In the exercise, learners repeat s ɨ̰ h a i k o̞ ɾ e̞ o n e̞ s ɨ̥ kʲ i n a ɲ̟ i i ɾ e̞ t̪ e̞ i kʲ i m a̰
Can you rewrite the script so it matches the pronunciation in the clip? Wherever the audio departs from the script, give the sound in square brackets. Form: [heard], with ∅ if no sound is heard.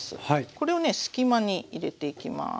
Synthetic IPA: s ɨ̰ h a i k o̞ ɾ e̞ o n e̞ s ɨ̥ kʲ i [m] a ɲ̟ i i ɾ e̞ t̪ e̞ i kʲ i m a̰